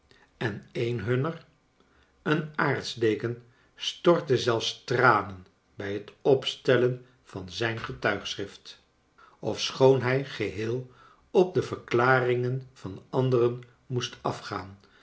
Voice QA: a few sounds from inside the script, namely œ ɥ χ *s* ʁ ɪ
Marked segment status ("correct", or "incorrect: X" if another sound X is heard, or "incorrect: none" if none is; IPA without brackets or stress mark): correct